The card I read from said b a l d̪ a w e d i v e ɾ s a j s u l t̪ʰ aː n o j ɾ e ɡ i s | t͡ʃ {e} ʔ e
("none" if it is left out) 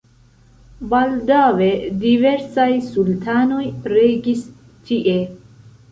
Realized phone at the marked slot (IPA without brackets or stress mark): i